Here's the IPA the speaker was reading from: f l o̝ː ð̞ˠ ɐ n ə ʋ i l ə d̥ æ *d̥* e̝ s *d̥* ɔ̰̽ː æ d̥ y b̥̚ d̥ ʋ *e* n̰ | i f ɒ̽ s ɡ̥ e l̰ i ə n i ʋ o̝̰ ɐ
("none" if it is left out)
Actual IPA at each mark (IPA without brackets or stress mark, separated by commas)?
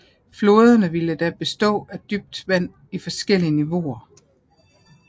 b̥, d̥, æ